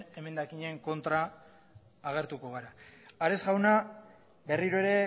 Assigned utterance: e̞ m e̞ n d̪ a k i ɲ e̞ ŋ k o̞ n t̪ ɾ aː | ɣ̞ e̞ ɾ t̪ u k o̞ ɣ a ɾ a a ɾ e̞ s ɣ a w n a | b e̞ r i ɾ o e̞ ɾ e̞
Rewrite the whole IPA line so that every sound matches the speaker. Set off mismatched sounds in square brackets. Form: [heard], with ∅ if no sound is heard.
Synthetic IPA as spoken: e̞ m e̞ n d̪ a k i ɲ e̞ ŋ k o̞ n t̪ ɾ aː | ɣ̞ e̞ ɾ t̪ u k o̞ ɣ a ɾ a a ɾ e̞ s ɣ a w n a | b e̞ r i ɾ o e̞ ɾ e̞